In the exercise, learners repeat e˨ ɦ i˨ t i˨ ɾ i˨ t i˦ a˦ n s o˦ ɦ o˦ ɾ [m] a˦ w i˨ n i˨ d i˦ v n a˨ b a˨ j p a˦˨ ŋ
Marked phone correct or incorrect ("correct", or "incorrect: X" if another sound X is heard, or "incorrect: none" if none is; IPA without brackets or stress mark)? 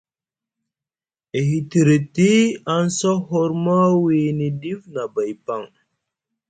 correct